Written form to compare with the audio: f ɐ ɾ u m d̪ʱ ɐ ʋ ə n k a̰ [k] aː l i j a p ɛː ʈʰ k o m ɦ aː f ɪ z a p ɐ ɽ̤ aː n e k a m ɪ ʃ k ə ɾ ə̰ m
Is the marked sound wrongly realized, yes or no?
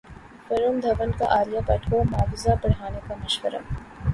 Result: yes